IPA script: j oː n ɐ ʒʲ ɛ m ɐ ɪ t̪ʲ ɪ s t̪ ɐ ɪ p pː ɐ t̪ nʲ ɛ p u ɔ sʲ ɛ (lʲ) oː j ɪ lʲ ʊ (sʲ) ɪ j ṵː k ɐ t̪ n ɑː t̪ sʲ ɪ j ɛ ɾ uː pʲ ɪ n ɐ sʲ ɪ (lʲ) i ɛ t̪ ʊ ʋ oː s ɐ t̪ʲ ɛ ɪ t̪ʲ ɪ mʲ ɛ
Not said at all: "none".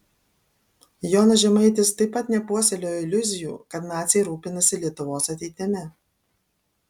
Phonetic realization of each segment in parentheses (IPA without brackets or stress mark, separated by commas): lʲ, zʲ, lʲ